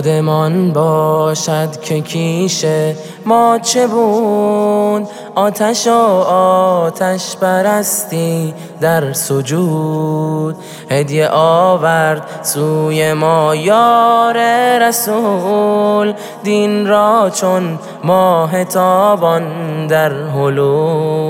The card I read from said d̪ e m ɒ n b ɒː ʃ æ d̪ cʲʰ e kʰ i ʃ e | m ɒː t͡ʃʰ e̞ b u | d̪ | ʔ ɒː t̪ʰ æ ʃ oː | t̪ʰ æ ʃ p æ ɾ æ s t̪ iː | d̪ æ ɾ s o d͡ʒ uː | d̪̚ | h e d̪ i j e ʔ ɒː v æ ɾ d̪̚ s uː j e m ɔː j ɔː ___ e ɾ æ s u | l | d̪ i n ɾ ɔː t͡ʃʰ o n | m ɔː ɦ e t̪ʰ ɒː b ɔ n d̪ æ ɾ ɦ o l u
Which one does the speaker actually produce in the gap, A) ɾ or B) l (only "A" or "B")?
A